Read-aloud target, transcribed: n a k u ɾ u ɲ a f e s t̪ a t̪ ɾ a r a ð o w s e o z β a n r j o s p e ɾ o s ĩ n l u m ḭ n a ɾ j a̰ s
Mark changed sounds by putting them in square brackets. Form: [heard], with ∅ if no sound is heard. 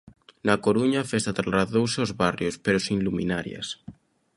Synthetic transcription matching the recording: n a k [o] ɾ u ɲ a f e s t̪ a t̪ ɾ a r a ð o w s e o z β a [∅] r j o s p e ɾ o s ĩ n l u m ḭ n a ɾ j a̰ s